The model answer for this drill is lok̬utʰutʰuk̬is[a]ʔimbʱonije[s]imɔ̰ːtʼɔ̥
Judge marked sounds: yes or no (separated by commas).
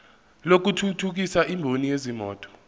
yes, no